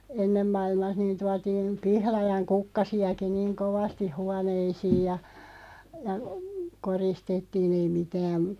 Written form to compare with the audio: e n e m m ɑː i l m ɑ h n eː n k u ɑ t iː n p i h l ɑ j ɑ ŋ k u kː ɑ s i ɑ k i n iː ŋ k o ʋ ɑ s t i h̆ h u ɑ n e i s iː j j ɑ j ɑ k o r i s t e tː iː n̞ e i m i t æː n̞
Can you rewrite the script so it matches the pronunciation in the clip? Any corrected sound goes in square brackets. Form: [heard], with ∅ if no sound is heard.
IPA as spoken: e [nː] e m m [ɑ] i l m ɑ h n [iː] n [t] u ɑ t iː n p i h l ɑ j ɑ ŋ k u kː ɑ s i ɑ k i n iː ŋ k o ʋ ɑ s t i h̆ h u ɑ n e i s iː j j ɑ j ɑ k o r i s t e tː iː n̞ e i m i t æː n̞